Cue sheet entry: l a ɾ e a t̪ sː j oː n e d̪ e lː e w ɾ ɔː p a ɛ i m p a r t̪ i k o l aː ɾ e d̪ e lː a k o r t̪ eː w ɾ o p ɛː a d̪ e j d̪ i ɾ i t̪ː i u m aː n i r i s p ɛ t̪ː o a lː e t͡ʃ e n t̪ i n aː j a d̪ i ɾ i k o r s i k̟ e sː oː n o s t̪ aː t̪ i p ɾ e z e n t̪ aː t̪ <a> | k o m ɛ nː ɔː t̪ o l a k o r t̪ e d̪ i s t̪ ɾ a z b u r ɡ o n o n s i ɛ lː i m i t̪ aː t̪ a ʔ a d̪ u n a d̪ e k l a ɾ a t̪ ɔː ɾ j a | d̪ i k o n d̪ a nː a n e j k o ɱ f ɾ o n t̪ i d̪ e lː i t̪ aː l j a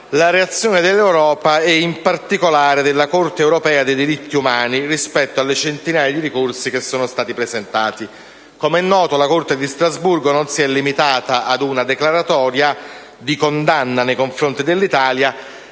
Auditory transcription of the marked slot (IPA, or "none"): i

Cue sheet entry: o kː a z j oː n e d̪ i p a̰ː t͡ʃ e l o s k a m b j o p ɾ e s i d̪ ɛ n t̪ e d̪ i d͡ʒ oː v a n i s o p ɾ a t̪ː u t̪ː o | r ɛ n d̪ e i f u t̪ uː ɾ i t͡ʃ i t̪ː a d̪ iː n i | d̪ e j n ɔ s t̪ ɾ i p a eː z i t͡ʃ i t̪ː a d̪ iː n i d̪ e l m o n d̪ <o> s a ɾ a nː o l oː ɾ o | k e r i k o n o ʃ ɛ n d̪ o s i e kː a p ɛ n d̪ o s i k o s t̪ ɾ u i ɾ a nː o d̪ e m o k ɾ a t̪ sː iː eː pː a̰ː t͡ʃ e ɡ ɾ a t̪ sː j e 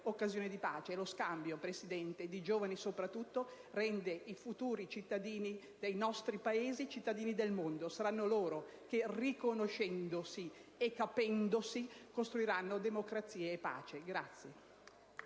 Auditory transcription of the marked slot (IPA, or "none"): o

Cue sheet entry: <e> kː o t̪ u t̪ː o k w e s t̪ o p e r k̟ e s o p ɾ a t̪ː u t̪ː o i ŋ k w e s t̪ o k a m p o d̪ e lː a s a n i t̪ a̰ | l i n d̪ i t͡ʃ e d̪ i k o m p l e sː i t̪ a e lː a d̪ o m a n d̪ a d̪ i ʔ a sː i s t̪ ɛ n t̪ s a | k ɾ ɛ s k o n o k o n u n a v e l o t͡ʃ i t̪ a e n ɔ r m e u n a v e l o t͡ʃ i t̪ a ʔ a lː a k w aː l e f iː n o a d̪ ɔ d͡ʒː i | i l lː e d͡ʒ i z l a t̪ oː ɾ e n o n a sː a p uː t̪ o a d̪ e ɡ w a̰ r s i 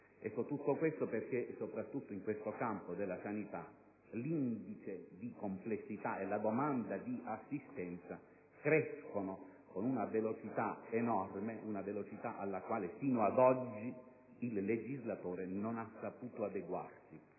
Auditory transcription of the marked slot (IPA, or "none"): ɛ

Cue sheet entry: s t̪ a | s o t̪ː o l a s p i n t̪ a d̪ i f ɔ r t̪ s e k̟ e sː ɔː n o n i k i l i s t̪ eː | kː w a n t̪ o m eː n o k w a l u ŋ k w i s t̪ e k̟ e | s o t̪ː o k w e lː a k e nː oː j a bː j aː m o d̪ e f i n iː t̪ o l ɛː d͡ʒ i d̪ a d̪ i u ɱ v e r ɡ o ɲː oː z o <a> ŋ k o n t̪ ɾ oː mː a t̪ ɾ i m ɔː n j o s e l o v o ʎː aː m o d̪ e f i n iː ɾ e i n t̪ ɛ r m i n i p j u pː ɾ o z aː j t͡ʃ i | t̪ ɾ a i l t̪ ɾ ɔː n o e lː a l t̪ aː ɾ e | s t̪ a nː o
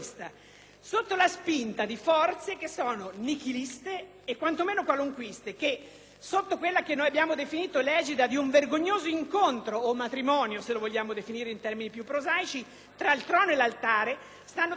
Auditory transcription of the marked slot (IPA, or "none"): i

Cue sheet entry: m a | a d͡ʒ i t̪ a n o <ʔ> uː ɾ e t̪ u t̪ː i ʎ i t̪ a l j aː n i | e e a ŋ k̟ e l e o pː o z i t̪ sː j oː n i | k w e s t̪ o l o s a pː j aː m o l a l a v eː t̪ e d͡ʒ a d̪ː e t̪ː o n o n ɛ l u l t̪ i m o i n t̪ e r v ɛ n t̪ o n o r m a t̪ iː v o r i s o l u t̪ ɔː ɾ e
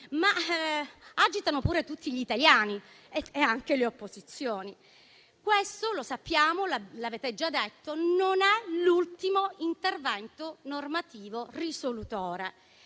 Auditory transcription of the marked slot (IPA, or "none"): p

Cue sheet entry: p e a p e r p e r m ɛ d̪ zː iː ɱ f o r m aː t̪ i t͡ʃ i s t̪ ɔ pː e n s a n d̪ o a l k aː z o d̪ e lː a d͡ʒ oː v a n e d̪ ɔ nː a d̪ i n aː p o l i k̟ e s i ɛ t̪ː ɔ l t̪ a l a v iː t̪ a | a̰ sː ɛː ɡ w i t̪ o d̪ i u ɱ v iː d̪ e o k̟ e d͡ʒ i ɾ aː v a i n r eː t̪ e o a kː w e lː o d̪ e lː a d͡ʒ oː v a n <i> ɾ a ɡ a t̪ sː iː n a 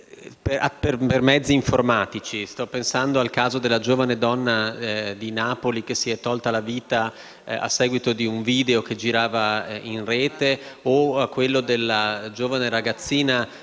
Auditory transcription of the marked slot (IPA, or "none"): e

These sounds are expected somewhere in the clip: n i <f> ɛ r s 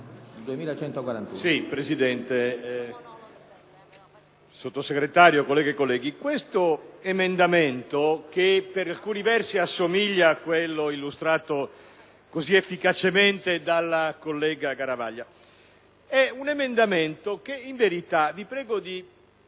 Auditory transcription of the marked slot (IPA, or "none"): v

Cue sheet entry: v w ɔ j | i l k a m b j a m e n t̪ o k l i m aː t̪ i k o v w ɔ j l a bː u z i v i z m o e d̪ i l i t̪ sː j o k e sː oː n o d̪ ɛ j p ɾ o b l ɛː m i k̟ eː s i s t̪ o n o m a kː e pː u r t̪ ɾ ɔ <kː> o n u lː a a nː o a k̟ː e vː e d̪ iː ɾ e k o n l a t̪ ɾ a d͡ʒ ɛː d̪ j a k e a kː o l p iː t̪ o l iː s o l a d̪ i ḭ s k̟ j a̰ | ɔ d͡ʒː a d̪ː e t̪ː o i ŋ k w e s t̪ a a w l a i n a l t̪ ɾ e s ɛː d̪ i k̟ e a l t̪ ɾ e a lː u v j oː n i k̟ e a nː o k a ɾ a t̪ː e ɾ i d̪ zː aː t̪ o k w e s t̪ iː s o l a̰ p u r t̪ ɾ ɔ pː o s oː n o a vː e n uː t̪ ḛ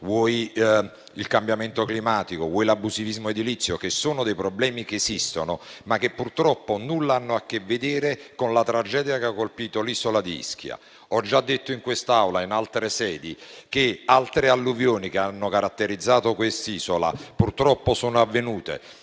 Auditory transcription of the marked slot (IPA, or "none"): pː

